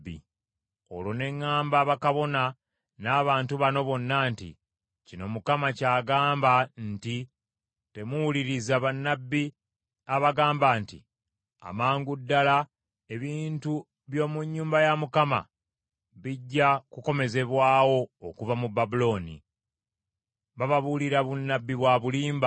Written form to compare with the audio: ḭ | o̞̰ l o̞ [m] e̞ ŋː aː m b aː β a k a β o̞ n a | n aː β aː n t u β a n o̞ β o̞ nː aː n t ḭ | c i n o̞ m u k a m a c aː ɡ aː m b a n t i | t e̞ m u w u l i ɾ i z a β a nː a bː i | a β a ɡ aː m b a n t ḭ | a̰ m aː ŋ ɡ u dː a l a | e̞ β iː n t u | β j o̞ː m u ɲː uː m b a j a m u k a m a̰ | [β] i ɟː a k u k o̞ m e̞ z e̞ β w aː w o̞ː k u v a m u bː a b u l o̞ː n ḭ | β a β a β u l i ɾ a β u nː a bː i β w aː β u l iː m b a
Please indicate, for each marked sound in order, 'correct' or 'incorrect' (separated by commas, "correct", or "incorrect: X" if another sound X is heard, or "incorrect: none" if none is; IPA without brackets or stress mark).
incorrect: n, correct